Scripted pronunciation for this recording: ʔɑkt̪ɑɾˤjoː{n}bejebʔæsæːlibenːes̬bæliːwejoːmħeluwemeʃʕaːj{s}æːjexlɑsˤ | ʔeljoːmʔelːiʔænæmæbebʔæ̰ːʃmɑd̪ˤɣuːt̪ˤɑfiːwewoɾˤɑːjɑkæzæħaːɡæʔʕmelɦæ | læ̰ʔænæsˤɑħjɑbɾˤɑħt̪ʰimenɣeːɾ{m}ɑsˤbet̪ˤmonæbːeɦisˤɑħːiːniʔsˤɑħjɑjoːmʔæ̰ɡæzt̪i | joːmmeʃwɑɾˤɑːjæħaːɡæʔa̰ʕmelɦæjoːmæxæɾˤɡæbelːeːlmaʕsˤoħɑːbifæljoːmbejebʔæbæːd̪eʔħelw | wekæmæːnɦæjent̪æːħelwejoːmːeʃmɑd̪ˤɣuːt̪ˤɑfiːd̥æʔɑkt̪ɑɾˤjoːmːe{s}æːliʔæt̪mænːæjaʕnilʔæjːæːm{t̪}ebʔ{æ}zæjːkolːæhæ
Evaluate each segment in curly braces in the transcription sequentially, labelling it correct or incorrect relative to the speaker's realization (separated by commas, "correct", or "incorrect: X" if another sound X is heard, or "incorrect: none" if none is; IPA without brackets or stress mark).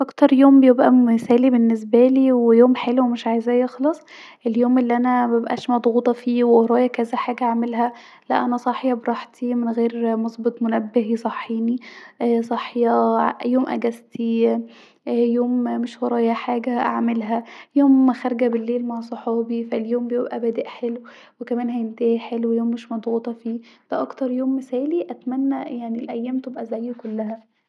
incorrect: m, incorrect: z, correct, correct, correct, correct